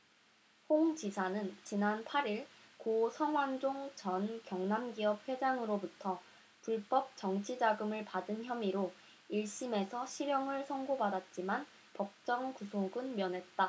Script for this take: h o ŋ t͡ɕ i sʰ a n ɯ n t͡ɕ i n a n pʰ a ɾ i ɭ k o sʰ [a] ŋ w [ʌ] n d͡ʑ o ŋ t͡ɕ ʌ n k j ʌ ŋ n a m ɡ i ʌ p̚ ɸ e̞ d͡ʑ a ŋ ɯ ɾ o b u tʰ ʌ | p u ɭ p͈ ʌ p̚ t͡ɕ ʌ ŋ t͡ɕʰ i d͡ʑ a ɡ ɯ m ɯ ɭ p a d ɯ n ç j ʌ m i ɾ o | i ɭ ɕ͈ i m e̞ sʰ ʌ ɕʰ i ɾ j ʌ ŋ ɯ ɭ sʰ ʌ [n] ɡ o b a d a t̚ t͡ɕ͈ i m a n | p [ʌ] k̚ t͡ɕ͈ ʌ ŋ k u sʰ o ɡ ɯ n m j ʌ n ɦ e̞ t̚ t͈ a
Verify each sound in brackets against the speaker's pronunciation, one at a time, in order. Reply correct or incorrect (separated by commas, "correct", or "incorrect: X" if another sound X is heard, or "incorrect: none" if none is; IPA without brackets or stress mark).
incorrect: ʌ, incorrect: a, incorrect: ŋ, correct